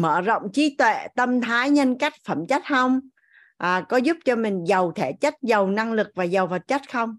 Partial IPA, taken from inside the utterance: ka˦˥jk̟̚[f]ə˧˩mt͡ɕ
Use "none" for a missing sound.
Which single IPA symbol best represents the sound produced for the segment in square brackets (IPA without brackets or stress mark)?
f